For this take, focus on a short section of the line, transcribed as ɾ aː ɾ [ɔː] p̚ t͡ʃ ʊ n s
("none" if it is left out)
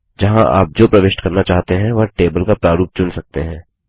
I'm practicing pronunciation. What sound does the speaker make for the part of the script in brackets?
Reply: uː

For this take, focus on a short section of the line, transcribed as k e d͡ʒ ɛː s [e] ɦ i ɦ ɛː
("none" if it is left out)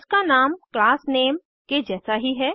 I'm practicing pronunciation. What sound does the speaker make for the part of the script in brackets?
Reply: a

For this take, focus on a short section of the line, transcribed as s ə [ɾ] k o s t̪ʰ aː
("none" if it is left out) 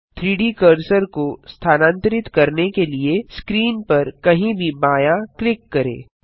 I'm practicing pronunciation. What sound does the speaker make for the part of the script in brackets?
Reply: ɾ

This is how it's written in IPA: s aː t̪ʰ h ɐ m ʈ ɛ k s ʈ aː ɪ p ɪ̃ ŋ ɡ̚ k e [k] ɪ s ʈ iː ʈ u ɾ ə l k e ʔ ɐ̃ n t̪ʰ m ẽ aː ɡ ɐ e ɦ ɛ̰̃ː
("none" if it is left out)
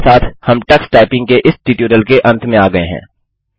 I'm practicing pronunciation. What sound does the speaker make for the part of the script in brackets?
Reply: ʔ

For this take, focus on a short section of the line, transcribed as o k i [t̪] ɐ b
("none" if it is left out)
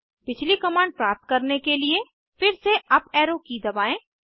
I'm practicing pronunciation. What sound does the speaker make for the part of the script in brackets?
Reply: d̪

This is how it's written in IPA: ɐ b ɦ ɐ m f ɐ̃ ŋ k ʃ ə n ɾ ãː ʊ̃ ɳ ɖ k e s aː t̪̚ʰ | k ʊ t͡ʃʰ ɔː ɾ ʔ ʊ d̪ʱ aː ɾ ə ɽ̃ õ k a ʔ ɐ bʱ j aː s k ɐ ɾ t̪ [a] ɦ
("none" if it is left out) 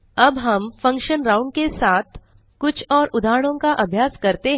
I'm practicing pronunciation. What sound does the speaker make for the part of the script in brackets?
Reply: e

